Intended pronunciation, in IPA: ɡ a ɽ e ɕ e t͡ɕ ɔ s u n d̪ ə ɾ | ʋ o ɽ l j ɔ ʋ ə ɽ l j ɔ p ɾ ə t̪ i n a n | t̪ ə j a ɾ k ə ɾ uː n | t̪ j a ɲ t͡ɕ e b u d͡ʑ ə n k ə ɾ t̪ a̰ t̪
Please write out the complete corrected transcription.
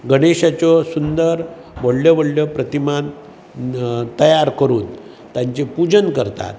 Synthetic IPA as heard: ɡ ə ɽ e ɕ a t͡ɕ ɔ s u n d̪ ə ɾ | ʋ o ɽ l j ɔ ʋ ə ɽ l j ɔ p ɾ ə t̪ i m a n | t̪ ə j a ɾ k ə ɾ uː n | t̪ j a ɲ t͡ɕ e p u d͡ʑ ə n k ə ɾ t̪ a̰ t̪